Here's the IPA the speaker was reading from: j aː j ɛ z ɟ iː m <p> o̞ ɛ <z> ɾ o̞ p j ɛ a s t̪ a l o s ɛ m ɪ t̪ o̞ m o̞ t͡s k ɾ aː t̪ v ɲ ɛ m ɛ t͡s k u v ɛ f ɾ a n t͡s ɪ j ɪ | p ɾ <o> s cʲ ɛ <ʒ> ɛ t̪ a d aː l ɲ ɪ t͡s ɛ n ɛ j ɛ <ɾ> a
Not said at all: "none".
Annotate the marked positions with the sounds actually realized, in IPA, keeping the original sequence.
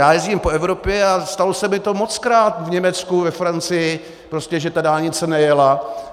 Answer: p, v, o, ʒ, l

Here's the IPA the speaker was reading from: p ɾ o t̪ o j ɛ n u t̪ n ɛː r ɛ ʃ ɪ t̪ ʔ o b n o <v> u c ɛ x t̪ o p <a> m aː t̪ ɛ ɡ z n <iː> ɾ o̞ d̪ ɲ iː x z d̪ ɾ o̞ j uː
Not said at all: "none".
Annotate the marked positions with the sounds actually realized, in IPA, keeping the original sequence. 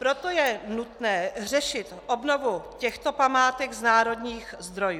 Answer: v, a, aː

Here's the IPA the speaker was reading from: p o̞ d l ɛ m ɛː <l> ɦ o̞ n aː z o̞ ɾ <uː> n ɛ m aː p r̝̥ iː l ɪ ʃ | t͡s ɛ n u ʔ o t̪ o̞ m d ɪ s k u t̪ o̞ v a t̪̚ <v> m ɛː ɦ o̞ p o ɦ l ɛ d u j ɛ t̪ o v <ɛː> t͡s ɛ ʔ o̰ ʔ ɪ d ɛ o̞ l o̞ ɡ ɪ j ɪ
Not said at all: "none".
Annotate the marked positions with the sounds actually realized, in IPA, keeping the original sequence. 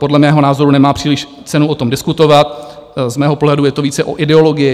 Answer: none, u, z, iː

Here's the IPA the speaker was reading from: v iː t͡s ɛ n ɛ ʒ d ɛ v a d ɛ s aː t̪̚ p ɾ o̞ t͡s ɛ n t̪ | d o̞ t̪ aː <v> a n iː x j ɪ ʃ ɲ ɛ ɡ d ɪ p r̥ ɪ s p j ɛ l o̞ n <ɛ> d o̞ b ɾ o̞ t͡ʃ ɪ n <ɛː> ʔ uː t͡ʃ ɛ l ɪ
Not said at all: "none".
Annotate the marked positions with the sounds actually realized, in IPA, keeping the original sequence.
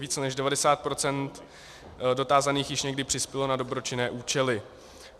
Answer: z, a, ɛː

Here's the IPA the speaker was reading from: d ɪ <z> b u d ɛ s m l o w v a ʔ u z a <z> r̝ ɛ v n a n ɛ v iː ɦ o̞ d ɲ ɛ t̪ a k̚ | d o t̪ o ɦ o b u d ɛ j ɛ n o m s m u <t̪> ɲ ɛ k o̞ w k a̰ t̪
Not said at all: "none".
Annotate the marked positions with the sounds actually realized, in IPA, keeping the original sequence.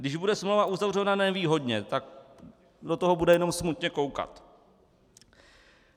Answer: ʒ, v, t̪

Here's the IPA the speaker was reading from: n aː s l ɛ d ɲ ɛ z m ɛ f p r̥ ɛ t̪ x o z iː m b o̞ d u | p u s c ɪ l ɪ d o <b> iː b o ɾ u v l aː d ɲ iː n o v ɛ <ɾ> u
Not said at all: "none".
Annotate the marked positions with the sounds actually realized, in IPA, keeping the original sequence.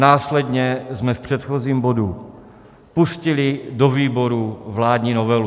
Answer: v, l

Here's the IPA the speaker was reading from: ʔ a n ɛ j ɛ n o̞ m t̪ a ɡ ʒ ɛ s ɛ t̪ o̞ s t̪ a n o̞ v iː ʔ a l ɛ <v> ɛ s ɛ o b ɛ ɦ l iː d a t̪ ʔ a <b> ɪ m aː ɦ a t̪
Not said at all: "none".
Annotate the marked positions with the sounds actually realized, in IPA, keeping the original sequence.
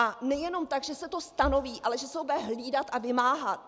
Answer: ʒ, v

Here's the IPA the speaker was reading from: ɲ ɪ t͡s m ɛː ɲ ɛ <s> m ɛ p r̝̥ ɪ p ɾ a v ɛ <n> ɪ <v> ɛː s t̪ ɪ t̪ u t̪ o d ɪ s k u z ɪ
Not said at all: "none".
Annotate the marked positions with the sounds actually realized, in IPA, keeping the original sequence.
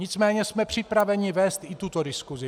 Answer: s, ɲ, v

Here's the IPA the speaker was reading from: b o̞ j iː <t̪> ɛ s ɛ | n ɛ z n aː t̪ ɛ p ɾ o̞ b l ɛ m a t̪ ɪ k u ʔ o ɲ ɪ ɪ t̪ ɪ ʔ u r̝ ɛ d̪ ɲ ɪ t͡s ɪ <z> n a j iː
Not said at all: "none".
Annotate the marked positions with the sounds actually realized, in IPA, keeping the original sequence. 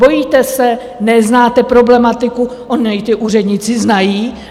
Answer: t̪, z

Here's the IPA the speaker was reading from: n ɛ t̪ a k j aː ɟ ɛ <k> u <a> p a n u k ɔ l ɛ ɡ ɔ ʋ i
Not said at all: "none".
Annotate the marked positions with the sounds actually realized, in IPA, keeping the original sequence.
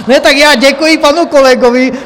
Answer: k, i

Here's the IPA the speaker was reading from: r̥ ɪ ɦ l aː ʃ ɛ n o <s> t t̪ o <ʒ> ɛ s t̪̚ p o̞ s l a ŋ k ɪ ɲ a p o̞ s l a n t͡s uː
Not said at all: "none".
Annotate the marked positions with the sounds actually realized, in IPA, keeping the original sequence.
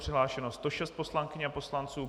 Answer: s, ʃ

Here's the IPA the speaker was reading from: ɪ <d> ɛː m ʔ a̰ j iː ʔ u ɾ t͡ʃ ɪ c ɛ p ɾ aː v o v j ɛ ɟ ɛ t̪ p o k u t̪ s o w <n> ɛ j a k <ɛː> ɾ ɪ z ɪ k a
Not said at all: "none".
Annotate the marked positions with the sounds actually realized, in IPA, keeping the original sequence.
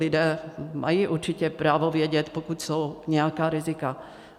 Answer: d, ɲ, aː

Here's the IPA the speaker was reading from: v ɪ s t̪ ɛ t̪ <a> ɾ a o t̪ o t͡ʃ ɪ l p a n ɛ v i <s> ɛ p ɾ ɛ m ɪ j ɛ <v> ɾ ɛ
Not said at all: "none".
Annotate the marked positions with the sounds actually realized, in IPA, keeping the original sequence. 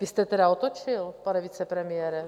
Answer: ɛ, t͡s, none

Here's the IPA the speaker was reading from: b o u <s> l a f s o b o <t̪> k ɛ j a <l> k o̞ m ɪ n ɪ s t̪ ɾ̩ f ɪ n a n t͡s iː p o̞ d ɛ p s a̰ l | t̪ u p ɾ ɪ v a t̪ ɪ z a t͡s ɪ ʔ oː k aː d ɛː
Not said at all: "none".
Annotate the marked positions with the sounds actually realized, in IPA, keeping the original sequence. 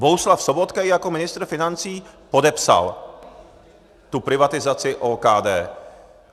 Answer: s, t̪, none

